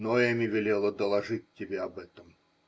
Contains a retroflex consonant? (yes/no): yes